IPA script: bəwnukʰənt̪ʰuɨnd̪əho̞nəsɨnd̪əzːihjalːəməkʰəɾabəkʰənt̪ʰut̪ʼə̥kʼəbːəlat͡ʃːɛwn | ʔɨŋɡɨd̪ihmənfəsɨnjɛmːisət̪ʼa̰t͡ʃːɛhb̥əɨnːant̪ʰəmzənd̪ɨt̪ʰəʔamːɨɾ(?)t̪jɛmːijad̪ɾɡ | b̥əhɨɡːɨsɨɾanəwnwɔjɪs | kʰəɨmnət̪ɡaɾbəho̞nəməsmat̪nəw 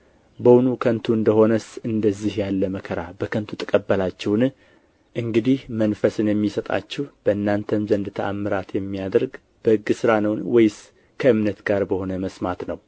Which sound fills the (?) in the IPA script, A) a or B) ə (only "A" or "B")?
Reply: A